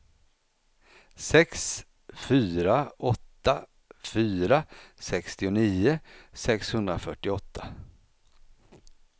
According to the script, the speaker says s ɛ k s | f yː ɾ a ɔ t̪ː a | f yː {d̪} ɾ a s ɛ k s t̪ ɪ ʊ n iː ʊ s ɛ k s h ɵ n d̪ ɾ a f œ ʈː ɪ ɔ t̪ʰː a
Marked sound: incorrect: none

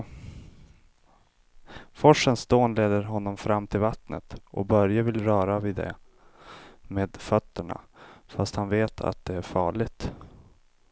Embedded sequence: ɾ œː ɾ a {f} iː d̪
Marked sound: incorrect: v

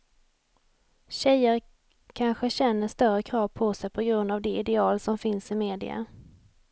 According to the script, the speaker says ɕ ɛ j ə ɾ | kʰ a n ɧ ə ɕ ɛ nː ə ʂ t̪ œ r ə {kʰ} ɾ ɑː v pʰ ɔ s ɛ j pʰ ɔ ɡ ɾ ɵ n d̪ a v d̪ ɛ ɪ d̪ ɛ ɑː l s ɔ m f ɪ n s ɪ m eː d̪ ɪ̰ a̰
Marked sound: correct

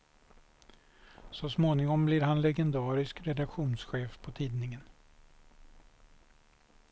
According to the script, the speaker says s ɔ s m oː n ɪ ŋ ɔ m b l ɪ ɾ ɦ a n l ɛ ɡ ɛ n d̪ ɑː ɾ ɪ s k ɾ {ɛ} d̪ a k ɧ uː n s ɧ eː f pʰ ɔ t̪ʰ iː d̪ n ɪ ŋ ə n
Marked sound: correct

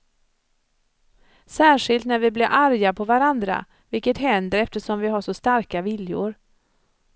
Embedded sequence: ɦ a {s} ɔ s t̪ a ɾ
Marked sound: incorrect: ʂ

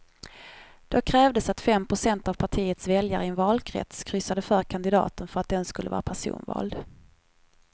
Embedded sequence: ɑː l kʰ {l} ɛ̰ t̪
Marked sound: incorrect: ɾ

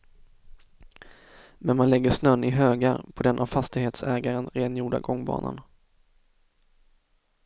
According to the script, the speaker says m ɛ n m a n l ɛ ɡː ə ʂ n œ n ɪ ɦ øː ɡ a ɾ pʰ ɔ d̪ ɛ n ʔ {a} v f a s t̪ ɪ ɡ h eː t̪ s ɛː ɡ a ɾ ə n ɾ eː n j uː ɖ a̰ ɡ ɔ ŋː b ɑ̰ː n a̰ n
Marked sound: correct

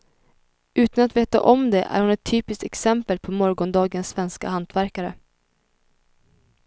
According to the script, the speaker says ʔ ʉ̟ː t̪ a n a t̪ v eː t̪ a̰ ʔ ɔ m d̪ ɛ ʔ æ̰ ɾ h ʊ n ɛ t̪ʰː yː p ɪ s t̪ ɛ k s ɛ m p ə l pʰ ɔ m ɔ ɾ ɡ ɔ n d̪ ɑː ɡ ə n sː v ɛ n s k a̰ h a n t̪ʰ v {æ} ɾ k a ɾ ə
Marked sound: correct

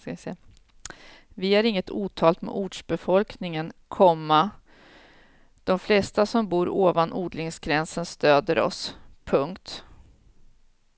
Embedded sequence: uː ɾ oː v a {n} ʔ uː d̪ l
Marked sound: correct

